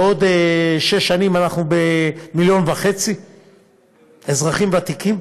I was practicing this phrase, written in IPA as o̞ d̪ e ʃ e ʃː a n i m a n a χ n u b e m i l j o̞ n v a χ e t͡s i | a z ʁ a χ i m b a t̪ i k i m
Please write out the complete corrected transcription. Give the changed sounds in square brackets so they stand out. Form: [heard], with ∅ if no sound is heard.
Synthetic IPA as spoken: o̞ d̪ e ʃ e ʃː a n i m a n a χ n u b e m i l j o̞ n v a χ e t͡s i | [e] z ʁ a χ i m [v] a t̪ i k i m